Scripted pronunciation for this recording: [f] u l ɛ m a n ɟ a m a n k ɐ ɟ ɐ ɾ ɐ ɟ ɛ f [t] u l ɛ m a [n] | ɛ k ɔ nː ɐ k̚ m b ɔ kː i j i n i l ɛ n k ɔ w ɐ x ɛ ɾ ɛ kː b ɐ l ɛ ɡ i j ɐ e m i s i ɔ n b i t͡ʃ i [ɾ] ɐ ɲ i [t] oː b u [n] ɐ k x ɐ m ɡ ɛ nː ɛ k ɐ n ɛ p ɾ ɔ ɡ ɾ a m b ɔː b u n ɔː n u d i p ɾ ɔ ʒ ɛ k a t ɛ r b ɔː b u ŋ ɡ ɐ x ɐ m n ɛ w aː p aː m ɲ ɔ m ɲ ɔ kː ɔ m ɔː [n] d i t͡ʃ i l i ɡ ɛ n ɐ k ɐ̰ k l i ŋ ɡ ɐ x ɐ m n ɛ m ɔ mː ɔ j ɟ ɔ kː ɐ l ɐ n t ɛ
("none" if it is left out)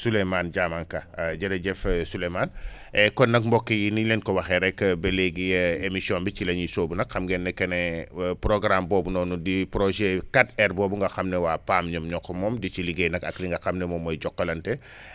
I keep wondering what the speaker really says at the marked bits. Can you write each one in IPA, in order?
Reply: s, s, n, l, s, n, m

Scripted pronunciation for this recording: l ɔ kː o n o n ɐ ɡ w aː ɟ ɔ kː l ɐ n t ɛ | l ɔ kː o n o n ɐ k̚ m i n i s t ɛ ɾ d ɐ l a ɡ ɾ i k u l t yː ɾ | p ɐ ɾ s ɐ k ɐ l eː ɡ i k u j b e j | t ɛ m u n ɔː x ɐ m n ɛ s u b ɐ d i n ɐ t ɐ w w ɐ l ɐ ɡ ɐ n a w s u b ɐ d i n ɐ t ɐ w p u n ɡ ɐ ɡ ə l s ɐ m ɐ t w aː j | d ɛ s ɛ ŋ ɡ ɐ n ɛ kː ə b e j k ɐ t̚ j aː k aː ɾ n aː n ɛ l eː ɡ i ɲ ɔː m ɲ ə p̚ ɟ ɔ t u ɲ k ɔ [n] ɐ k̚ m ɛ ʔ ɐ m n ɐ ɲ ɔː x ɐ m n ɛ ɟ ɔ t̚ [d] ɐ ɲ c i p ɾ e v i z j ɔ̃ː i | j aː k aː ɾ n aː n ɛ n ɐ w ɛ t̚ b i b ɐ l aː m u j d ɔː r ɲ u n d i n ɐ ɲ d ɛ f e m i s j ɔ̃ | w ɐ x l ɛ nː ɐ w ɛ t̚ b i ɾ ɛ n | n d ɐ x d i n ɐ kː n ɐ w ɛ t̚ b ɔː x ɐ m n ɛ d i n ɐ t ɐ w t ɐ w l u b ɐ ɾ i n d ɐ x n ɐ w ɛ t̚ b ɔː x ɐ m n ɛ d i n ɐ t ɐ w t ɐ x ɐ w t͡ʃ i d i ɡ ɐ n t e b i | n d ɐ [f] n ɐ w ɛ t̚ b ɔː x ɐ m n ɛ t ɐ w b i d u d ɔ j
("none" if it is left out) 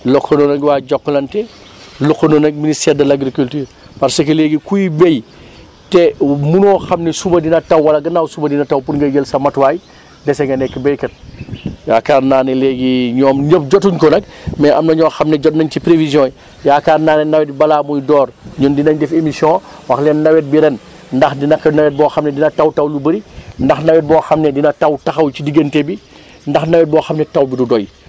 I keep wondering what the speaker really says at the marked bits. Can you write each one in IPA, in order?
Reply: n, n, x

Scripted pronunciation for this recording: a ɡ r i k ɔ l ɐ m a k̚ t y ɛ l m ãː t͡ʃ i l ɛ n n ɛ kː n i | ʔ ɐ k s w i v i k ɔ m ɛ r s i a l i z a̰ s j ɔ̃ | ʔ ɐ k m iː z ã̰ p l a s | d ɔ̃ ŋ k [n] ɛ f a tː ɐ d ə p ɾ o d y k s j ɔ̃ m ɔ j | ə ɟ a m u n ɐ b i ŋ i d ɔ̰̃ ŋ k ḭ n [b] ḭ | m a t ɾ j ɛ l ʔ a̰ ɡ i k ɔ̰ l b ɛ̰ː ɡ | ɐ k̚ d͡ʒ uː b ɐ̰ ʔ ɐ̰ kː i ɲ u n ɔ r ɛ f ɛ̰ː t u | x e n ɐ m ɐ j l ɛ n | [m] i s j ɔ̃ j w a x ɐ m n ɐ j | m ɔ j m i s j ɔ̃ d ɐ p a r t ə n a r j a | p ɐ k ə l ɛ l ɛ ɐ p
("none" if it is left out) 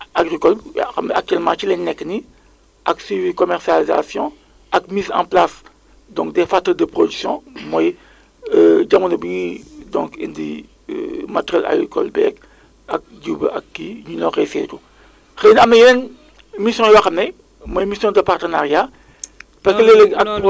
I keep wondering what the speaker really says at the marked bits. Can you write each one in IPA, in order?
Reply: d, d, m

